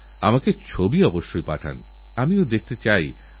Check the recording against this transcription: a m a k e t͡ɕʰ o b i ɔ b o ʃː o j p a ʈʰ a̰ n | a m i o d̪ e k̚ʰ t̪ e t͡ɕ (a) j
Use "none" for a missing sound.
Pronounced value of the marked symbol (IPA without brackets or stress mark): a